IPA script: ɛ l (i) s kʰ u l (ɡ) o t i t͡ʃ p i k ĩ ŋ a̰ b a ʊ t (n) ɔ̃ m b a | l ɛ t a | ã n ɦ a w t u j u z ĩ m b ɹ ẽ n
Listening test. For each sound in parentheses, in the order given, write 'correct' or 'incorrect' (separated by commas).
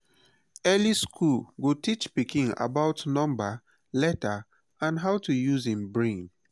correct, correct, correct